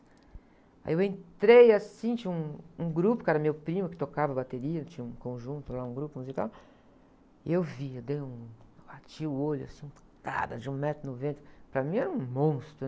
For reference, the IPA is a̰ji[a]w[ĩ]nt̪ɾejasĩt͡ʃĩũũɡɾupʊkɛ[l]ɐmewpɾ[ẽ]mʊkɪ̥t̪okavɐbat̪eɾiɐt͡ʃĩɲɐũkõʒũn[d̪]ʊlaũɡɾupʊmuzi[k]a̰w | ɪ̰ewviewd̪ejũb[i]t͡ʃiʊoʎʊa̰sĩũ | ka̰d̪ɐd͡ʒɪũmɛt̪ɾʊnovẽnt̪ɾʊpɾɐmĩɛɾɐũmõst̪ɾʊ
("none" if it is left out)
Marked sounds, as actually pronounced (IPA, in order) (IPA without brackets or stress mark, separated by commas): e, ẽ, ɾ, ĩ, t̪, k, a